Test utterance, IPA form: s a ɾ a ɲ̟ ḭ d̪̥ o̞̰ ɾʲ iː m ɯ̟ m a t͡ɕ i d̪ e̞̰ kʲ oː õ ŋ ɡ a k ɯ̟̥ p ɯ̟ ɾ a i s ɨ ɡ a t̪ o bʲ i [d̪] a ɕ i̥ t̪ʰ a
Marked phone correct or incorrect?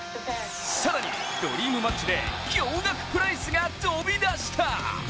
correct